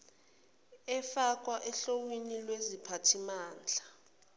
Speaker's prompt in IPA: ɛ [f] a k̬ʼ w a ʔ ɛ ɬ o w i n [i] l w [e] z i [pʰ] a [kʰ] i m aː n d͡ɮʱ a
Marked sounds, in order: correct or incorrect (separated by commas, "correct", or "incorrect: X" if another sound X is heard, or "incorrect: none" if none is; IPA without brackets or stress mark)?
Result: correct, correct, correct, correct, incorrect: tʰ